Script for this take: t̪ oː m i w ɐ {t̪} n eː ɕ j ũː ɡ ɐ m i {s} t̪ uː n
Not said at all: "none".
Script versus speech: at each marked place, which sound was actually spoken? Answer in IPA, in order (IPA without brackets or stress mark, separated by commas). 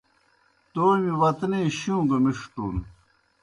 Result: t̪, ʂ